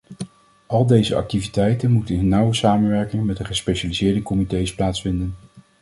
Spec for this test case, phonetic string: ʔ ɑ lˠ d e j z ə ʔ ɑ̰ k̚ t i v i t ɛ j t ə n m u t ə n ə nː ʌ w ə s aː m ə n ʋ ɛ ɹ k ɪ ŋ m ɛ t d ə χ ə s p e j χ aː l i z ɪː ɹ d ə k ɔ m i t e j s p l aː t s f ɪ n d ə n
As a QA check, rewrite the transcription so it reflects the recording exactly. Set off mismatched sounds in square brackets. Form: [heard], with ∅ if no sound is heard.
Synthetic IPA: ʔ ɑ lˠ d e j z ə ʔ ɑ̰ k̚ t i v i t ɛ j t ə n m u t ə n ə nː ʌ w ə s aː m ə n ʋ ɛ ɹ k ɪ ŋ m ɛ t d ə χ ə s p e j [ʃ] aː l i z ɪː ɹ d ə k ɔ m i t e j s p l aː t s f ɪ n d ə n